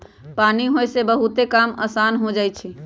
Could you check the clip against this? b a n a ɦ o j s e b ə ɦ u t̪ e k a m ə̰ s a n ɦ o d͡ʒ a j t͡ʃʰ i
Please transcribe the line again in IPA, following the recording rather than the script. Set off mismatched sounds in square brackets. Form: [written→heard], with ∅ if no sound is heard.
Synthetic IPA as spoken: [b→p] a n [a→i] ɦ o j s e b ə ɦ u t̪ e k a m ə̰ s a n ɦ o d͡ʒ a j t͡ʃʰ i